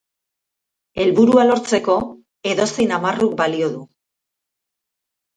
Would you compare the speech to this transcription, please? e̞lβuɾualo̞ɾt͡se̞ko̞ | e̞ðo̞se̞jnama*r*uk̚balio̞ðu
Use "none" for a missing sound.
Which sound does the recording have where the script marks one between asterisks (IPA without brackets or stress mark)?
r